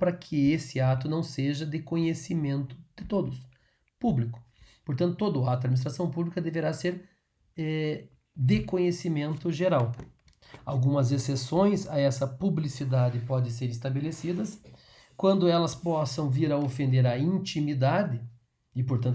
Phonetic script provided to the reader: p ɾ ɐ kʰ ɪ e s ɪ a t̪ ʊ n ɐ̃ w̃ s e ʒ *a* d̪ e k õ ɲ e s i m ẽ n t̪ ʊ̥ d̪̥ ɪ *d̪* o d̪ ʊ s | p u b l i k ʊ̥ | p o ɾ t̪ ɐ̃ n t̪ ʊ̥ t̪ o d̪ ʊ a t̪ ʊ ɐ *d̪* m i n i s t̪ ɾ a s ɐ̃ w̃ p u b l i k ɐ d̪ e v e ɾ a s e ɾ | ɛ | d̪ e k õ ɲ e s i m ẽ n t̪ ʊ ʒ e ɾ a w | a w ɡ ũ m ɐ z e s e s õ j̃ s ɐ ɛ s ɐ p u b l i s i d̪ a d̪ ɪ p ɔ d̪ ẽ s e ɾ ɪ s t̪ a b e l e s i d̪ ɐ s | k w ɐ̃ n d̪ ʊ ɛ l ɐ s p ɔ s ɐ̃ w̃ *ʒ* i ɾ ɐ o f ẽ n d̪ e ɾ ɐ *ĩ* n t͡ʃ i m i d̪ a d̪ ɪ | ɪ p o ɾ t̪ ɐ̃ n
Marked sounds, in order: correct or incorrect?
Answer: incorrect, incorrect, correct, incorrect, correct

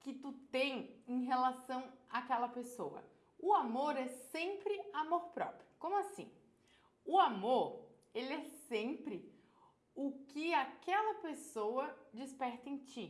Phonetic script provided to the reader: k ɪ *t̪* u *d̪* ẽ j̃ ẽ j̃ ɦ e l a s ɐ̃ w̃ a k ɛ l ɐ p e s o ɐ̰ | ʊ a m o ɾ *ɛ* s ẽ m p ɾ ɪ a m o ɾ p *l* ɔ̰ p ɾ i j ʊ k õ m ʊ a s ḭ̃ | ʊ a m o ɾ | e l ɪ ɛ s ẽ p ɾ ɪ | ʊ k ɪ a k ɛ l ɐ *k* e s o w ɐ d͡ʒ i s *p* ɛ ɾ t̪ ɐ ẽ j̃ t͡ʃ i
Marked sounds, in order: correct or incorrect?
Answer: correct, incorrect, correct, incorrect, incorrect, correct

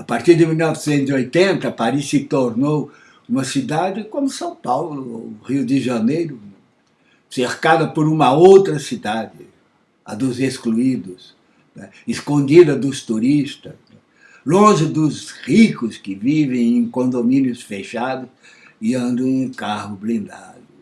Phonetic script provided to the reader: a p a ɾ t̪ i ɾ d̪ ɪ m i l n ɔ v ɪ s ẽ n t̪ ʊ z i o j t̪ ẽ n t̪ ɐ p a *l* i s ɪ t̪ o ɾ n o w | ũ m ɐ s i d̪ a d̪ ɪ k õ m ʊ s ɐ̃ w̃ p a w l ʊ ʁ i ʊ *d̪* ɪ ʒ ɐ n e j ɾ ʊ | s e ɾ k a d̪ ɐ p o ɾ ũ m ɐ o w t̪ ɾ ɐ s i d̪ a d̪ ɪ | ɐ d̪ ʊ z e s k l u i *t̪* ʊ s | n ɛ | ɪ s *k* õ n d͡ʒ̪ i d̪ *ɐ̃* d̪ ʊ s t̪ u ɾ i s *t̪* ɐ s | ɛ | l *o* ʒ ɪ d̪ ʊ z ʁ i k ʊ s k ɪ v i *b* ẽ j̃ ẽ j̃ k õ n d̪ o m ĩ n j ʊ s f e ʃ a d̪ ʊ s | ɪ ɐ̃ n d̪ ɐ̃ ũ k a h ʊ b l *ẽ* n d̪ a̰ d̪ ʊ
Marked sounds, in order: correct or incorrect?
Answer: incorrect, correct, incorrect, correct, incorrect, correct, incorrect, incorrect, incorrect

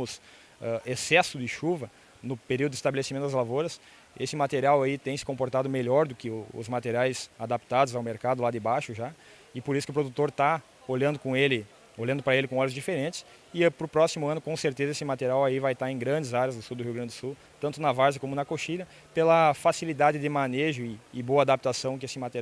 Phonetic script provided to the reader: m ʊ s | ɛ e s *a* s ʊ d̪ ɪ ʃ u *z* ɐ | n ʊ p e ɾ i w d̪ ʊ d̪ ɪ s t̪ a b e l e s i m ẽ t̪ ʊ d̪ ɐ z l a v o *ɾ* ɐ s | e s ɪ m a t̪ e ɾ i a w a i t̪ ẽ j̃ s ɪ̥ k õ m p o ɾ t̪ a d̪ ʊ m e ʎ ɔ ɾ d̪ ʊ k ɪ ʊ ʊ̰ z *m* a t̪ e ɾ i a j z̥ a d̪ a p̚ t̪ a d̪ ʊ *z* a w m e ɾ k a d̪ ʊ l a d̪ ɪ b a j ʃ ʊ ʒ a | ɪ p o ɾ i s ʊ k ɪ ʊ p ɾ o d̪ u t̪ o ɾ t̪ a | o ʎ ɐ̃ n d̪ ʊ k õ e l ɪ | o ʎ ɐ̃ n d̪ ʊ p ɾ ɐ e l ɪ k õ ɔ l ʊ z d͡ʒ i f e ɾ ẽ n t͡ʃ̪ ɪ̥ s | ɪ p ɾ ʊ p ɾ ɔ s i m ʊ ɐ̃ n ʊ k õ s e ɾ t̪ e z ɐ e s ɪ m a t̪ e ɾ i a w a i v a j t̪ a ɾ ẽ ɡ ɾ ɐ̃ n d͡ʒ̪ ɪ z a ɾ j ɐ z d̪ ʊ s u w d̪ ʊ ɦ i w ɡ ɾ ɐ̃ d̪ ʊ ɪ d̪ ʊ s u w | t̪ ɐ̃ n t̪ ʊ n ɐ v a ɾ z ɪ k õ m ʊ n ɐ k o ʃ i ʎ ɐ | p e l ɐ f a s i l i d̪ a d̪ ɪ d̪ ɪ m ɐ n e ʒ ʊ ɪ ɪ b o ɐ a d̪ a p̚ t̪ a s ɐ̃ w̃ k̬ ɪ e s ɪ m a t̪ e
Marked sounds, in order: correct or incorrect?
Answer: incorrect, incorrect, correct, correct, correct

